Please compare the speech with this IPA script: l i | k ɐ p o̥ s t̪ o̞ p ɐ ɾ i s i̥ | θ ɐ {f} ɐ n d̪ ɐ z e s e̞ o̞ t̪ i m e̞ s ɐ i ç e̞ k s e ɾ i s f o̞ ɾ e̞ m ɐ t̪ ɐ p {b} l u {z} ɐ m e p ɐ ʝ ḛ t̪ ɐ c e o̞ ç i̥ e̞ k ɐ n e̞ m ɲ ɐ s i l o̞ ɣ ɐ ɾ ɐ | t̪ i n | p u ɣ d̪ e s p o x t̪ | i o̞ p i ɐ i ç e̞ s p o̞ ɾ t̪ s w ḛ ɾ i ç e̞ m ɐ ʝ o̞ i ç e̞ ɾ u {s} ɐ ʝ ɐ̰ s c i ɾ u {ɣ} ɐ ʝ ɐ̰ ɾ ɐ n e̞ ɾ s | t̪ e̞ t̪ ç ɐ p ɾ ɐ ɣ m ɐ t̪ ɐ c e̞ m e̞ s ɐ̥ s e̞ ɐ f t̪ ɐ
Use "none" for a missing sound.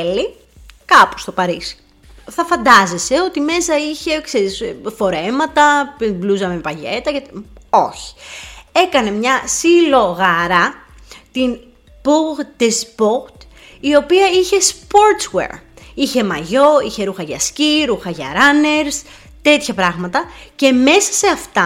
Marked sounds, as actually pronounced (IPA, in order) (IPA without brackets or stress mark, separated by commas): f, b, z, x, x